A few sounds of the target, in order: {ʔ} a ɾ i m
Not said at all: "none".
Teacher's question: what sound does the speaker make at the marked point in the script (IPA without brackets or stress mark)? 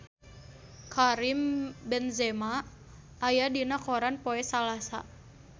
k